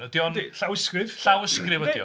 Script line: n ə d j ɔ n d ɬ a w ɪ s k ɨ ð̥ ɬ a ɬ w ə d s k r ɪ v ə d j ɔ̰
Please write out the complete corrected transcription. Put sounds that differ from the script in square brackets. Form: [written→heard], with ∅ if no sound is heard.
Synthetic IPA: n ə d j ɔ n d ɬ a w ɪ s k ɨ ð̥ ɬ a [ɬ→∅] w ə [d→∅] s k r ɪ v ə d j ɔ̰